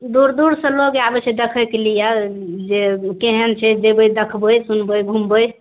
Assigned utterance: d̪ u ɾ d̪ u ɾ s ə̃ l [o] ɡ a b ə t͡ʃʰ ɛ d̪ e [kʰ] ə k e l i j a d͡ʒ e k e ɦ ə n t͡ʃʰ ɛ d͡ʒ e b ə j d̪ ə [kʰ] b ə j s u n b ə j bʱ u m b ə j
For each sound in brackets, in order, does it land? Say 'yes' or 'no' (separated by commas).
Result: yes, yes, yes